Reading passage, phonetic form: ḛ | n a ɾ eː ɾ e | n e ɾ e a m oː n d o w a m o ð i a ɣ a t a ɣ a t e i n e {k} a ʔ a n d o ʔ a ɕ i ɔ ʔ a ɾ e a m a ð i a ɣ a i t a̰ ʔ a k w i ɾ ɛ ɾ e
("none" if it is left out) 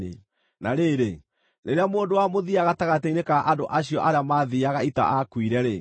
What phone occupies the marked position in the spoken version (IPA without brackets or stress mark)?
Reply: k